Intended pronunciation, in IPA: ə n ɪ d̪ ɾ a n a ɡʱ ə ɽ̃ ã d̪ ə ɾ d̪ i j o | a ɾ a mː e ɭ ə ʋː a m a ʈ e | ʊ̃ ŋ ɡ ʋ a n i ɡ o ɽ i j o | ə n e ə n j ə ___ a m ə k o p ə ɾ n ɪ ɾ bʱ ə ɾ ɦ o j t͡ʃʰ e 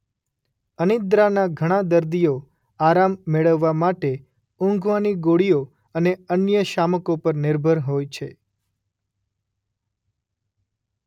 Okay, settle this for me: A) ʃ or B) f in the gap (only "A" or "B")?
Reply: A